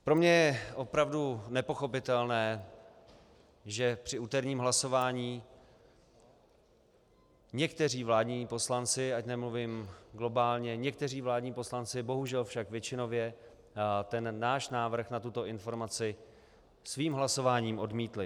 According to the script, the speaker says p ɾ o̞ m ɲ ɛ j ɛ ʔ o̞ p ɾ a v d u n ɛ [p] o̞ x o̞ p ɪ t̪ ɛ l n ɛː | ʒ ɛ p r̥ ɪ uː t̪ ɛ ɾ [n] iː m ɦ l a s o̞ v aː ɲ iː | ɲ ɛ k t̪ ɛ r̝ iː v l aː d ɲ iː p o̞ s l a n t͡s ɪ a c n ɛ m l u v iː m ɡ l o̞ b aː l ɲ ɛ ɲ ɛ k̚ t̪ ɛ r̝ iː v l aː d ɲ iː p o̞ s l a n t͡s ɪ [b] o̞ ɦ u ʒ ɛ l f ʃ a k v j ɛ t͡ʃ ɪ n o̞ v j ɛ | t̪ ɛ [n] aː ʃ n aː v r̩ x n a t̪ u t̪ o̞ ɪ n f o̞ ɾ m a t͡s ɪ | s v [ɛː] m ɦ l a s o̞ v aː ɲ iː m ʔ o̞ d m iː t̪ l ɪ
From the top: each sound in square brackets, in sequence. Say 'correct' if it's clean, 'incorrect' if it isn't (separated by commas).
correct, incorrect, correct, incorrect, incorrect